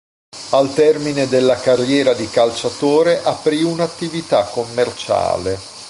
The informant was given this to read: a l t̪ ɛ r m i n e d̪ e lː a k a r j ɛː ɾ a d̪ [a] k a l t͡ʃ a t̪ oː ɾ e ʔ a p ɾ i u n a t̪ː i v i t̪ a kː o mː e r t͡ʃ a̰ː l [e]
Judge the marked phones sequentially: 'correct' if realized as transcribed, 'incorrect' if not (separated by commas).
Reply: incorrect, correct